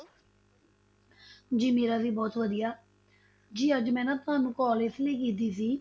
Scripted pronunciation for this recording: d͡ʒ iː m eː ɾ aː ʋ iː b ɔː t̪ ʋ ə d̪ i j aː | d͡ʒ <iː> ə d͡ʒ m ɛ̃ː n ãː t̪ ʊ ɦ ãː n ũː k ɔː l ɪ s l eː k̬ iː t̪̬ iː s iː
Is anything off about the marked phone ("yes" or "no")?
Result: no